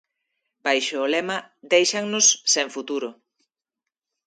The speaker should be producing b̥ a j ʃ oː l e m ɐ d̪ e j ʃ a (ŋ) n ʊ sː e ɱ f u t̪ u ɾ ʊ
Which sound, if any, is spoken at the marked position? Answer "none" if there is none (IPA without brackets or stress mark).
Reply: ŋ